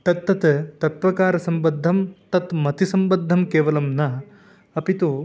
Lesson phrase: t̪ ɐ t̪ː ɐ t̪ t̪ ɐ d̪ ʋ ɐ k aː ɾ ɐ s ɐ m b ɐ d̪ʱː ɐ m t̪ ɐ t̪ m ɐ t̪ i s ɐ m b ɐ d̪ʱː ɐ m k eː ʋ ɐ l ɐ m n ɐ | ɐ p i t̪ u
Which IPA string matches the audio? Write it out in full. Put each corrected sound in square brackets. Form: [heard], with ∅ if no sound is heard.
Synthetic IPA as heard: t̪ ɐ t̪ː ɐ t̪ t̪ ɐ [t̪] ʋ ɐ k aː ɾ ɐ s ɐ m b ɐ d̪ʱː ɐ m t̪ ɐ t̪ m ɐ t̪ i s ɐ m b ɐ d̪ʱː ɐ m k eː ʋ ɐ l ɐ m n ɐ | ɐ p i t̪ u